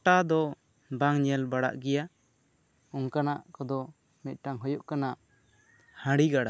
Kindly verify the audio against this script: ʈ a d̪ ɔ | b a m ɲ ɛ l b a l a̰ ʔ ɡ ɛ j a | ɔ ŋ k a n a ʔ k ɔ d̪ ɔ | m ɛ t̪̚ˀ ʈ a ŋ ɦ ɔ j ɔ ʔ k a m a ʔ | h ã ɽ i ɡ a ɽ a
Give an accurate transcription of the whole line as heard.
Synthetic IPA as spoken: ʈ a d̪ ɔ | b a ŋ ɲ ɛ l b a ɽ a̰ ʔ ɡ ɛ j a | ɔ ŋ k a n a ʔ k ɔ d̪ ɔ | m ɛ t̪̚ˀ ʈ a ŋ ɦ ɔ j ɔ ʔ k a n a ʔ | h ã ɽ i ɡ a ɽ a